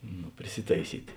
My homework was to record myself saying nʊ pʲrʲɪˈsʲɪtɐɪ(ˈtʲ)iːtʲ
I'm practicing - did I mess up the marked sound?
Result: yes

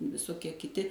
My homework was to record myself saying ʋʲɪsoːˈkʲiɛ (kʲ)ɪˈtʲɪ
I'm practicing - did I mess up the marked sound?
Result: no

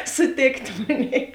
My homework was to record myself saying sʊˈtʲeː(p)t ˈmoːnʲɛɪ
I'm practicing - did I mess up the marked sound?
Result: yes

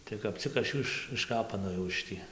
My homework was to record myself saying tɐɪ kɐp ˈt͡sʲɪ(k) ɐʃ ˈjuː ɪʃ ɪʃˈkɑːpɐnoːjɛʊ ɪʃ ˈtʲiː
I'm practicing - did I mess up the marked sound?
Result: no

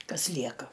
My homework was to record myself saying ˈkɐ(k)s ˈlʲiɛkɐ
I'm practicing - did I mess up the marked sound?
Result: yes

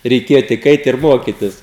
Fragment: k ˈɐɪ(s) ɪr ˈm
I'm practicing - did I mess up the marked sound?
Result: yes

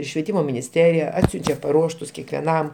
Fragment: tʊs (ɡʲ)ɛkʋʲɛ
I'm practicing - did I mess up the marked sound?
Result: yes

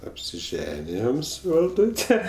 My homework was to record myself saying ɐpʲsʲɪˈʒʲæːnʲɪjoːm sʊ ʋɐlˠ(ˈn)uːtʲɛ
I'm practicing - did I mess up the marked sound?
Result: yes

